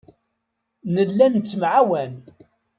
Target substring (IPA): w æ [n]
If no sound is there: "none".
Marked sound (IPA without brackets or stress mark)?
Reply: n